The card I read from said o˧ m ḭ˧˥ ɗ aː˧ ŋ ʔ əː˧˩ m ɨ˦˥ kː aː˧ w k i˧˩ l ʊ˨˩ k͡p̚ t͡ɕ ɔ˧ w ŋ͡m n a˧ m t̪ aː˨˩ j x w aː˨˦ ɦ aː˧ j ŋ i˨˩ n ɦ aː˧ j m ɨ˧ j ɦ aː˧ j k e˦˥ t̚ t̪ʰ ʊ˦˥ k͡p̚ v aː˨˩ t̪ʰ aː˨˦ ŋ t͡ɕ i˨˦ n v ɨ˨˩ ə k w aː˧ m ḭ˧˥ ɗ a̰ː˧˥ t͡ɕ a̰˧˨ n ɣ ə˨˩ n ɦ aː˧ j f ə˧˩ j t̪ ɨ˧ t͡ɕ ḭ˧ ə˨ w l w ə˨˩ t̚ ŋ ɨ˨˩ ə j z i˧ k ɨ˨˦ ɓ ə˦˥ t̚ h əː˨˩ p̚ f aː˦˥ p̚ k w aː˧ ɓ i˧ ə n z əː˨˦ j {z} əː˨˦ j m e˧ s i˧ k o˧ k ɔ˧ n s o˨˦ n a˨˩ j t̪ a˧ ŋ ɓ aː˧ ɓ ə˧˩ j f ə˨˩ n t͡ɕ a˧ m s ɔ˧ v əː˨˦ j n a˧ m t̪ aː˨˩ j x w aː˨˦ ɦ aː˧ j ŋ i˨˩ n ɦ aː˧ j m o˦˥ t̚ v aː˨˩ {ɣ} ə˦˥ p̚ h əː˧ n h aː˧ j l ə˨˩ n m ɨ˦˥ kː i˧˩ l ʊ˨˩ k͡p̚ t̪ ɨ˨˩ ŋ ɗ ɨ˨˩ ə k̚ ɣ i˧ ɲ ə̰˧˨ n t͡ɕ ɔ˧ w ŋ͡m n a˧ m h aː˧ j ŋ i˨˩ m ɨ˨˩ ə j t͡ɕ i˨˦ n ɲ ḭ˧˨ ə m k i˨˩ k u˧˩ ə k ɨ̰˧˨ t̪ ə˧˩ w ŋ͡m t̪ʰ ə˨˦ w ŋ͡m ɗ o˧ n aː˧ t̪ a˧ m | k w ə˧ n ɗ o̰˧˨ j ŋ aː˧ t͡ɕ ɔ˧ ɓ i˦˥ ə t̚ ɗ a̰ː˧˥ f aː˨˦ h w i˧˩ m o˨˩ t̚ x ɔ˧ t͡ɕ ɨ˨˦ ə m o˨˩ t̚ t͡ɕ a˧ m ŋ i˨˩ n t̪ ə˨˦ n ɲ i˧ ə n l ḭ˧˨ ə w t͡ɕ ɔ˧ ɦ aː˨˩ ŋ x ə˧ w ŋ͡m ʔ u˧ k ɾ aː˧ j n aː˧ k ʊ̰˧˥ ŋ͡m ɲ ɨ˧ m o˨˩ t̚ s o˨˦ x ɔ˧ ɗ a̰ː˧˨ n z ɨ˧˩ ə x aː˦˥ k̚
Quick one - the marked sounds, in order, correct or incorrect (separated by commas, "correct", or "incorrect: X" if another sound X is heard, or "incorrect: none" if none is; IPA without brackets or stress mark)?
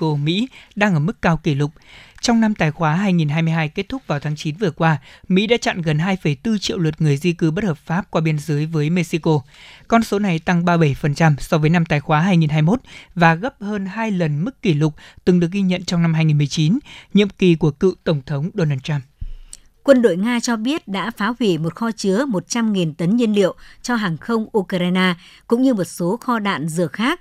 incorrect: v, correct